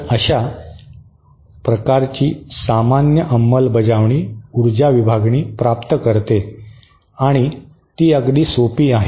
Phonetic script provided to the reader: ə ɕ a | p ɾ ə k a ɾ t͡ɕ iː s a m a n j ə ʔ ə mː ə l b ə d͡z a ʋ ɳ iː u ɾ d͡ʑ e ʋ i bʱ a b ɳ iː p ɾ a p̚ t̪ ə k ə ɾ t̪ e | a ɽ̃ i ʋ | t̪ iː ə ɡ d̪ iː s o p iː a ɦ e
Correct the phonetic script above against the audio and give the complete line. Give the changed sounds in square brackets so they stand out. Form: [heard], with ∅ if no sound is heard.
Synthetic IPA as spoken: ə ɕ a | p ɾ ə k a ɾ t͡ɕ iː s a m a n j ə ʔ ə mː ə l b ə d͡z a ʋ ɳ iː u ɾ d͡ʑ [a] ʋ i bʱ a [ɡ] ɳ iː p ɾ a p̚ t̪ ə k ə ɾ t̪ e | a ɽ̃ i [∅] | t̪ iː ə ɡ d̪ iː s o p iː a ɦ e